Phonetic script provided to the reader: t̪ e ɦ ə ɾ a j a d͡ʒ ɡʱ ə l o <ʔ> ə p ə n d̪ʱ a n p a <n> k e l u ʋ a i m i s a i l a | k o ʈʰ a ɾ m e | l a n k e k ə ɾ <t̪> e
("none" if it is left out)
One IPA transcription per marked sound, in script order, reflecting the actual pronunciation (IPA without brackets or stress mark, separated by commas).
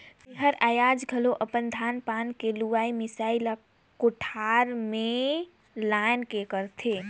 ʔ, n, t̪ʰ